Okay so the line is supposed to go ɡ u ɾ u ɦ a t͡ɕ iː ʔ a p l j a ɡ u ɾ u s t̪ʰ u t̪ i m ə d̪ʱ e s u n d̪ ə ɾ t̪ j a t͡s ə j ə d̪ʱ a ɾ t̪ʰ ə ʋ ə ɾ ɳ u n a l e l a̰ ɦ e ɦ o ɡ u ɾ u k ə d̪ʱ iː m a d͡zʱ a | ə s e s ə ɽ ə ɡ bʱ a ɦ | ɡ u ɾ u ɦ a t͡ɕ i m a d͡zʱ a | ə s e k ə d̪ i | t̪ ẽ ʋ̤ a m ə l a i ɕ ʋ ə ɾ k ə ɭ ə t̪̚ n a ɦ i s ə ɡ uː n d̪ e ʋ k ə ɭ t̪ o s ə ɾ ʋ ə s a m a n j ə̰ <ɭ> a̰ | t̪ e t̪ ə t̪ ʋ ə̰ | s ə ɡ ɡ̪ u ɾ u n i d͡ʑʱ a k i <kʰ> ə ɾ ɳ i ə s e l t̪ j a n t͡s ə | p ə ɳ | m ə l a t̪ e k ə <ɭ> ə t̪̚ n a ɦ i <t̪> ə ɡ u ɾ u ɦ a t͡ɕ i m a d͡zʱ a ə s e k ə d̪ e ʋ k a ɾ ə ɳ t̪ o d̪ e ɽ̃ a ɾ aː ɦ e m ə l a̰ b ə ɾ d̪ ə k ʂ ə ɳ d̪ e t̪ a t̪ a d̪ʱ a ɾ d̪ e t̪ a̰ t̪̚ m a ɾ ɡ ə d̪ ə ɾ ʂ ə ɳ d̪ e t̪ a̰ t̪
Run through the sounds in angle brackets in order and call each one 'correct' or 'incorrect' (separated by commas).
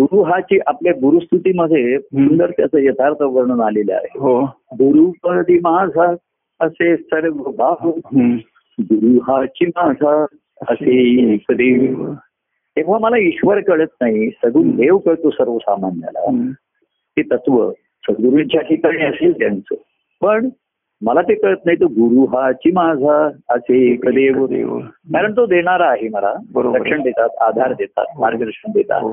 incorrect, incorrect, correct, correct